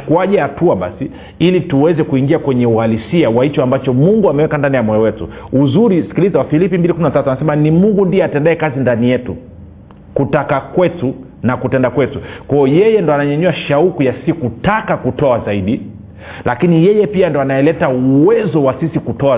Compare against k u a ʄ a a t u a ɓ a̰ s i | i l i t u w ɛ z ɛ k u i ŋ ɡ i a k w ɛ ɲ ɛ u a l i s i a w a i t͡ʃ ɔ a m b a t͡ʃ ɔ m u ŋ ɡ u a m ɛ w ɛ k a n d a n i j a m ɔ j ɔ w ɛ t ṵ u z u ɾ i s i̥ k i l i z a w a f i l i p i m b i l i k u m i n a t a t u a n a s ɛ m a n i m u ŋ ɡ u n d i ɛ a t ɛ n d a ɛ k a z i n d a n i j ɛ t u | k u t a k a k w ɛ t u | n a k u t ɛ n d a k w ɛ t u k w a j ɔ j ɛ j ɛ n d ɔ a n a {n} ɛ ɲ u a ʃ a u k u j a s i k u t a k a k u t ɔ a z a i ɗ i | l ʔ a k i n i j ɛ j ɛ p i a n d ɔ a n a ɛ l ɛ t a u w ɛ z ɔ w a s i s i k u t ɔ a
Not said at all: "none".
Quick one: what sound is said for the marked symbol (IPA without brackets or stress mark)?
ɲ